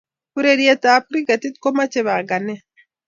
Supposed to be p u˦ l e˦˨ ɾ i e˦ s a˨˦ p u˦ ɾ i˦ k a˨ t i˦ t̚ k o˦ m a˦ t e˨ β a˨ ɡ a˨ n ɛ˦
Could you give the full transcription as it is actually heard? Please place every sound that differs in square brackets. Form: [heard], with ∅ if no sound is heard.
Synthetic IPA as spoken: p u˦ [ɾ] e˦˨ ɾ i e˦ [t] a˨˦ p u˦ ɾ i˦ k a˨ t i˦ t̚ k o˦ m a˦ [t͡ʃ] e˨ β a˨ ɡ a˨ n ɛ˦